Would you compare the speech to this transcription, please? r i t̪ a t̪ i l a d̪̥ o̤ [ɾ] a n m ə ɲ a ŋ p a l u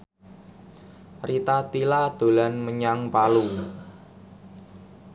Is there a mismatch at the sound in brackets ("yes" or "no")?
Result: yes